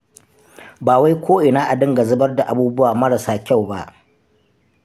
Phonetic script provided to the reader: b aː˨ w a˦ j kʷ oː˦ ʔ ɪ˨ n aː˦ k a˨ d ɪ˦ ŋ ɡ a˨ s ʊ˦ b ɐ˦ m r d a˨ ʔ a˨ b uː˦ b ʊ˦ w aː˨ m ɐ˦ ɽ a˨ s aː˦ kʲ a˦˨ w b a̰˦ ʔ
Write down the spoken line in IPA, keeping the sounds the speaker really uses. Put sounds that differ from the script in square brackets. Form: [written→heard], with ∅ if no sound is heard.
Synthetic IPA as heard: b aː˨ w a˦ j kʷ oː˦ ʔ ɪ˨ n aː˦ [k→ʔ] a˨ d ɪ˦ ŋ ɡ a˨ [s→z] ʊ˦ b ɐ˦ [m→∅] r d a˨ ʔ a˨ b uː˦ b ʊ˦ w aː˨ m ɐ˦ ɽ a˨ s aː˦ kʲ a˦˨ w b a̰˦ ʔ